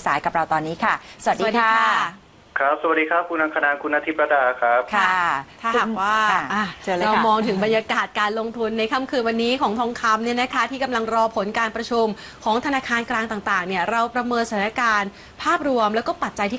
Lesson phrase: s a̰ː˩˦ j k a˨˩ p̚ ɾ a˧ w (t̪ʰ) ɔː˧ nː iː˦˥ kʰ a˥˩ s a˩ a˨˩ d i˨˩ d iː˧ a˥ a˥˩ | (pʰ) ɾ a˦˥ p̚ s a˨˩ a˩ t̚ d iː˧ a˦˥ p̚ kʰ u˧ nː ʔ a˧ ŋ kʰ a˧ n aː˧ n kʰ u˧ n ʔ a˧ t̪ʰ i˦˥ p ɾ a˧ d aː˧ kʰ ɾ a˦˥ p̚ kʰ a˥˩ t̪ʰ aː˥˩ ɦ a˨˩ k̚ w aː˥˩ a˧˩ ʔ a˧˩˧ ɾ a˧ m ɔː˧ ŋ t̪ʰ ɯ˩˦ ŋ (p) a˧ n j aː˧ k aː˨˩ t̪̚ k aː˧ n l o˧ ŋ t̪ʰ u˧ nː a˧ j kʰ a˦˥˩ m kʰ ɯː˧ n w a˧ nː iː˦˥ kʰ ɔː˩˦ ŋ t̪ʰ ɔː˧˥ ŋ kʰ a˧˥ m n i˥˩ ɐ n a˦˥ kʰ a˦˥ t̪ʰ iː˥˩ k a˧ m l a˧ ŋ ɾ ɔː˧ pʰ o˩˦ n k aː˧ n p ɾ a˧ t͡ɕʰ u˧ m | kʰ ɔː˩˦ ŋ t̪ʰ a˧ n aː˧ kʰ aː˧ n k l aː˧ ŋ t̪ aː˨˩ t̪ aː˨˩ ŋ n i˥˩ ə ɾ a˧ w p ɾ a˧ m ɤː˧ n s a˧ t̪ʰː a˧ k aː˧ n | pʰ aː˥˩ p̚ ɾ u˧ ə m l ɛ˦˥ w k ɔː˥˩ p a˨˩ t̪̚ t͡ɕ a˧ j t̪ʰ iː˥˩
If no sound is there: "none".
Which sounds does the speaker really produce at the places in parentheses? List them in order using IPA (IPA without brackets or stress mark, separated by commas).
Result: t̪, kʰ, b